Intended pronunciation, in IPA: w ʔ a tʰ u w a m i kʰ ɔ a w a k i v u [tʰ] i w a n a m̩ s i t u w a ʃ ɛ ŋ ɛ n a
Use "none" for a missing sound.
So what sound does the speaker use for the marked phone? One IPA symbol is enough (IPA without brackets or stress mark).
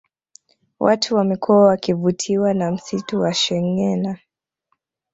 tʰ